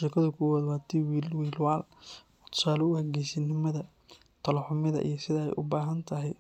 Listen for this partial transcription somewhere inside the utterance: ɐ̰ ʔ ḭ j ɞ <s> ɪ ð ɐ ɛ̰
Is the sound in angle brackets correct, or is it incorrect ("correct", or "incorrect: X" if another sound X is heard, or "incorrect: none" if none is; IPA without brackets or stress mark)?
correct